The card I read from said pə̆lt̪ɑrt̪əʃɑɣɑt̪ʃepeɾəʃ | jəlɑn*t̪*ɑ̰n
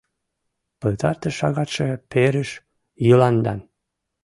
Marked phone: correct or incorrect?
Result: incorrect